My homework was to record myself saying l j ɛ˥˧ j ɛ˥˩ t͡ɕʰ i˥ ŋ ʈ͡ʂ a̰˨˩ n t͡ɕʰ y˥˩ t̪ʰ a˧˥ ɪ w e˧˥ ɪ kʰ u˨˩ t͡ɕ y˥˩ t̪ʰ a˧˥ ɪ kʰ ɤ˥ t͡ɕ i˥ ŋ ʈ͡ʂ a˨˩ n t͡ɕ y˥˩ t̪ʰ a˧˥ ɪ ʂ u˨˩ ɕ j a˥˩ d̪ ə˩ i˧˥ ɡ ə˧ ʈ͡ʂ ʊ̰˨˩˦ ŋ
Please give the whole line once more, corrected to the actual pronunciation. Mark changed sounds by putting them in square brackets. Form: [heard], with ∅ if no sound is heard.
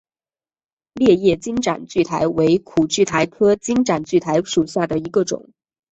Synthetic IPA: l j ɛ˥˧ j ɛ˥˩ [t͡ɕ] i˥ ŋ ʈ͡ʂ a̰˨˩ n [t͡ɕ] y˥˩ t̪ʰ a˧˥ ɪ w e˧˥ ɪ kʰ u˨˩ t͡ɕ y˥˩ t̪ʰ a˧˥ ɪ kʰ ɤ˥ t͡ɕ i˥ ŋ ʈ͡ʂ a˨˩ n t͡ɕ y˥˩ t̪ʰ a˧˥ ɪ ʂ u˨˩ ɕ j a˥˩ d̪ ə˩ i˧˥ ɡ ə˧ ʈ͡ʂ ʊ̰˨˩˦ ŋ